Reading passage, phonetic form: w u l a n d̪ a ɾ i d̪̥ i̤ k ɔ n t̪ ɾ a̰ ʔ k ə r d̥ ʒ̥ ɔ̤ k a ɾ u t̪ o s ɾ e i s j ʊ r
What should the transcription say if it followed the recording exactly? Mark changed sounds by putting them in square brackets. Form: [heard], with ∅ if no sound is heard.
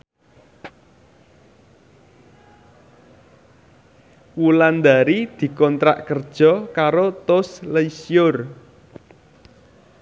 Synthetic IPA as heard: w u l a n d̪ a ɾ i d̪̥ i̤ k ɔ n t̪ ɾ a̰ ʔ k ə r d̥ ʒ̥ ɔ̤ k a ɾ [o] t̪ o s [l] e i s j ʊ r